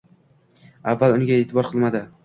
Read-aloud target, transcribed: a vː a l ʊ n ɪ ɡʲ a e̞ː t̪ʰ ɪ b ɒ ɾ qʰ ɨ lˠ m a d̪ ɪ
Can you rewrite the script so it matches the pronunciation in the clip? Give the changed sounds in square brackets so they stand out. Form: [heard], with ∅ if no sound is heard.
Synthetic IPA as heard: a vː a l ʊ n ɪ ɡʲ a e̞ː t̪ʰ ɪ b ɒ ɾ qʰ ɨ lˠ m a d̪ ɪ

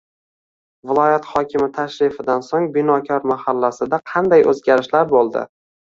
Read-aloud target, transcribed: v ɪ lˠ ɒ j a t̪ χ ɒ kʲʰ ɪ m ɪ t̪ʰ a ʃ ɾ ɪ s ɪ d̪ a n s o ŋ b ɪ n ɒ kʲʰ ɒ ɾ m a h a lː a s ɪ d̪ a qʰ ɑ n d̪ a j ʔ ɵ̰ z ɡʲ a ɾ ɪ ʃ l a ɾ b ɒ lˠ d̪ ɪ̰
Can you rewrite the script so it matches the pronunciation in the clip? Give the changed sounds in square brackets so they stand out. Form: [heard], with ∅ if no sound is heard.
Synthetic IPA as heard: v ɪ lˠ ɒ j a t̪ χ ɒ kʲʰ ɪ m ɪ t̪ʰ a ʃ ɾ ɪ [f] ɪ d̪ a n s o ŋ b ɪ n ɒ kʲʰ ɒ ɾ m a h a lː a s ɪ d̪ a qʰ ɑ n d̪ a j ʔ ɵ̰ z ɡʲ a ɾ ɪ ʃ l a ɾ b [o] lˠ d̪ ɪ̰

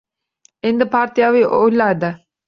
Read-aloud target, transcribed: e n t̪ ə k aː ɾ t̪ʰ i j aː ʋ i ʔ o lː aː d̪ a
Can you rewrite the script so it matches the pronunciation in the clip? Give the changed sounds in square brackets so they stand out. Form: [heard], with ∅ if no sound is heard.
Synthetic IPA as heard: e n [d̪] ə [p] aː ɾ [t̪] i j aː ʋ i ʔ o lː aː d̪ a

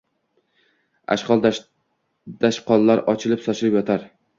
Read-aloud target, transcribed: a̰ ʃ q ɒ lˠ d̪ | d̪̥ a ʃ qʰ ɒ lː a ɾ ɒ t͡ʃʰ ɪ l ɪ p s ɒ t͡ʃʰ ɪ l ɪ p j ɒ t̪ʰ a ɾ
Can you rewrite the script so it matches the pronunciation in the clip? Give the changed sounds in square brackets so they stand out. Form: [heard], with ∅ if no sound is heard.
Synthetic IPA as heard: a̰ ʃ q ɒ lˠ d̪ | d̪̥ a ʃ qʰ ɒ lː a ɾ ɒ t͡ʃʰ ɪ l ɪ p s ɒ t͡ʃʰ ɪ l ɪ p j ɒ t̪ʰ a ɾ

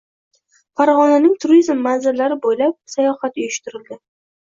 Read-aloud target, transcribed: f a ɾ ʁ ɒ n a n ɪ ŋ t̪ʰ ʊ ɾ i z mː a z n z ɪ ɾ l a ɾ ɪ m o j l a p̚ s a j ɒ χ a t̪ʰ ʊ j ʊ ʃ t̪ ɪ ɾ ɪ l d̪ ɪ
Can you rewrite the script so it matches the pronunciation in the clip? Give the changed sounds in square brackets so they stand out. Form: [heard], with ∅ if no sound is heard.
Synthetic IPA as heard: f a ɾ ʁ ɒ n a n ɪ ŋ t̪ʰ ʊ ɾ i z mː a [∅] n z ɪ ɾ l a ɾ ɪ [b] o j l a p̚ s a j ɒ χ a [t̪] ʊ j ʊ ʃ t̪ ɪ ɾ ɪ l d̪ ɪ

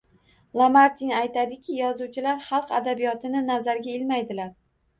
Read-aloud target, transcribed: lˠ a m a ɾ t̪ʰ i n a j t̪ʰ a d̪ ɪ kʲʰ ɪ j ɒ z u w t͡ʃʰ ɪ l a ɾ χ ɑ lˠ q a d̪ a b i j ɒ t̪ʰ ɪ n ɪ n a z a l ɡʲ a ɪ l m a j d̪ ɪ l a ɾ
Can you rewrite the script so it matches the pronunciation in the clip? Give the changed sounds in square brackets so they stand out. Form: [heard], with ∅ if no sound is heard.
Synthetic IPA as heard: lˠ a m a ɾ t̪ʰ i n a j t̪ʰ a d̪ ɪ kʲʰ ɪ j ɒ z u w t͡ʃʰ ɪ l a ɾ χ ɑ lˠ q a d̪ a b i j ɒ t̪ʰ ɪ n ɪ n a z a [ɾ] ɡʲ a ɪ l m a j d̪ ɪ l a ɾ

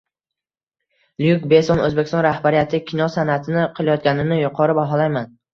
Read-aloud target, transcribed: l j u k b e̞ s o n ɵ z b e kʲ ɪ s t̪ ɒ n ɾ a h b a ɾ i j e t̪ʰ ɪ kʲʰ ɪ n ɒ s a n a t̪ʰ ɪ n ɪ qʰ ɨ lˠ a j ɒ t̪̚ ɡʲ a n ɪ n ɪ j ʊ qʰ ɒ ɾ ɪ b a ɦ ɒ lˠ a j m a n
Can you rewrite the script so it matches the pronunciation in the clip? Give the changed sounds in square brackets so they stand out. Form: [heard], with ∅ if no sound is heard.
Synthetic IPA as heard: l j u k b e̞ s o n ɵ z b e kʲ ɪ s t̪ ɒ n ɾ a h b a ɾ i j [a] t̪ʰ ɪ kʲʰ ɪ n ɒ s a n a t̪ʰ ɪ n ɪ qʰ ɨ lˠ a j ɒ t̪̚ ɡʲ a n ɪ n ɪ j ʊ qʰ ɒ ɾ ɪ b a ɦ ɒ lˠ a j m a n

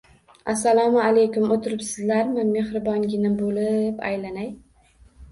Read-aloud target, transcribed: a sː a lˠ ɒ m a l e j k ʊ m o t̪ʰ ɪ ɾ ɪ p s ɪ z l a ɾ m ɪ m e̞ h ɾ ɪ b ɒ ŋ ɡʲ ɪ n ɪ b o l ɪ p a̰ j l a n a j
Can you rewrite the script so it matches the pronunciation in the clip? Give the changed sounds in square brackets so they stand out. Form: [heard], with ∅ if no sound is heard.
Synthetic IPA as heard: a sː a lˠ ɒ m a l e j k ʊ m o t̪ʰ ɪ ɾ ɪ p s ɪ z l a ɾ m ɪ m e̞ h ɾ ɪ b ɒ ŋ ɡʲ ɪ n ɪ b o l ɪ p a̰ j l a n a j

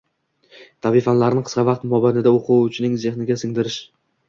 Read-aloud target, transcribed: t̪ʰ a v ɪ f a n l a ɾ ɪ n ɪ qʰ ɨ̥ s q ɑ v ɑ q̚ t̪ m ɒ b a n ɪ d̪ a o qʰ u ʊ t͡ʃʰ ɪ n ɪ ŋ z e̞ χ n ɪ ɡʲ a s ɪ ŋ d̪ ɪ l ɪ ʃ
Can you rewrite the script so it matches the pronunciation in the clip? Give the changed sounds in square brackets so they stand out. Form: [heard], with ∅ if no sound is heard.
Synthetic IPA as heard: t̪ʰ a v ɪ f a n l a ɾ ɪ n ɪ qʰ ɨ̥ s q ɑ v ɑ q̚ t̪ m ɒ b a n ɪ d̪ a o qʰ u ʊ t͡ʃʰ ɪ n ɪ ŋ z e̞ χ n ɪ ɡʲ a s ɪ ŋ d̪ ɪ [ɾ] ɪ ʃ

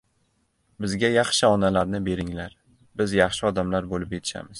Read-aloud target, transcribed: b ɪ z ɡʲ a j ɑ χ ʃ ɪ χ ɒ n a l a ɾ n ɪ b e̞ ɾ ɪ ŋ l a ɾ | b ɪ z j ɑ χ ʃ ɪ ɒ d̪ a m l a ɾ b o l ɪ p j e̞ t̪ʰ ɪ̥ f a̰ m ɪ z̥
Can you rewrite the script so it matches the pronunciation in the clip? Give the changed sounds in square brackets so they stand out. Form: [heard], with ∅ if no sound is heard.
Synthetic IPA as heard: b ɪ z ɡʲ a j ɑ χ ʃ ɪ [∅] ɒ n a l a ɾ n ɪ b e̞ ɾ ɪ ŋ l a ɾ | b ɪ z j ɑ χ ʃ ɪ ɒ d̪ a m l a ɾ b o l ɪ p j e̞ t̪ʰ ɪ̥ [ʃ] a̰ m ɪ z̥

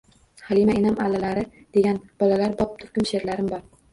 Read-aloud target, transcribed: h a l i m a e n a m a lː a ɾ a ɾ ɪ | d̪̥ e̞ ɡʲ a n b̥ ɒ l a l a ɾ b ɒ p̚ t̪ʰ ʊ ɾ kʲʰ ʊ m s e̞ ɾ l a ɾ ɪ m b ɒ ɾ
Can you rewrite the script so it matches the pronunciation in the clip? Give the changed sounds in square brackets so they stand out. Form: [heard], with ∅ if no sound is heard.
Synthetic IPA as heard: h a l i m a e n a m a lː a [l] a ɾ ɪ | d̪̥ e̞ ɡʲ a n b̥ ɒ l a l a ɾ b ɒ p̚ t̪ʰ ʊ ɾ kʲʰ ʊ m [ʃ] e̞ ɾ l a ɾ ɪ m b ɒ ɾ

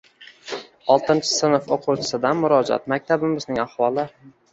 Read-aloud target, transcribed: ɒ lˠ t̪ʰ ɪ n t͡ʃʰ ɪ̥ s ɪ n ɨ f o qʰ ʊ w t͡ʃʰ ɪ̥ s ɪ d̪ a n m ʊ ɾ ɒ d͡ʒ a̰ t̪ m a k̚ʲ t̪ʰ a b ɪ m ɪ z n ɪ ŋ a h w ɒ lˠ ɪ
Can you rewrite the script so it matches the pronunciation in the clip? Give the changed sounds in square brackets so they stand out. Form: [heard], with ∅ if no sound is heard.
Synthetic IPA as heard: ɒ lˠ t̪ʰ ɪ n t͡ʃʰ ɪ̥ s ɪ n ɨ f o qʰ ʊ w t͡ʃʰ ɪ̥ s ɪ d̪ a n m ʊ ɾ ɒ d͡ʒ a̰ t̪ m a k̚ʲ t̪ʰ a b ɪ m ɪ z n ɪ ŋ a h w ɒ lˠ ɪ

